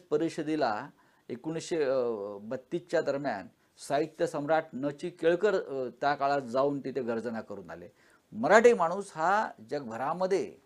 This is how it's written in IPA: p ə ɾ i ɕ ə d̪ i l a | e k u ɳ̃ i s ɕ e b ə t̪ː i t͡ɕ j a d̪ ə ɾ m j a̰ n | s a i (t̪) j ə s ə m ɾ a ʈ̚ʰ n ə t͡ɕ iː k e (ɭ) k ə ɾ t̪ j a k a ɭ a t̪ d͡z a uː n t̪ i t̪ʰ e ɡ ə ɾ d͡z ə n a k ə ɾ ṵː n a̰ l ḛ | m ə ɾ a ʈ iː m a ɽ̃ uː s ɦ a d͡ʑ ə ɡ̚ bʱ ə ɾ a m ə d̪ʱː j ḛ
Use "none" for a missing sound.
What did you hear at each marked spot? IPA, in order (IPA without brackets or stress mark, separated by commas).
t̪, ɭ